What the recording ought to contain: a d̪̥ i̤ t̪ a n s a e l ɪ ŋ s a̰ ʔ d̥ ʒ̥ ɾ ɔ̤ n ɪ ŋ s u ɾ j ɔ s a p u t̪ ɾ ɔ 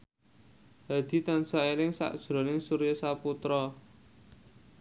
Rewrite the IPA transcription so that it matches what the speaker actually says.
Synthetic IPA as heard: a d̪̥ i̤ t̪ a n s a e l ɪ ŋ s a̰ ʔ d̥ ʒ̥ ɾ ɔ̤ n ɪ ŋ s u ɾ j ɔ s a p u t̪ ɾ ɔ